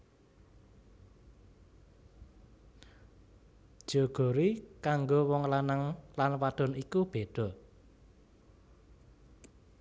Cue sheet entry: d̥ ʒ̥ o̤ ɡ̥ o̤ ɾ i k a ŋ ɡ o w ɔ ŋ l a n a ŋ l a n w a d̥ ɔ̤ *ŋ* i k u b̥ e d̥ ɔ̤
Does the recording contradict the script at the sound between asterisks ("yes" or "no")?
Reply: yes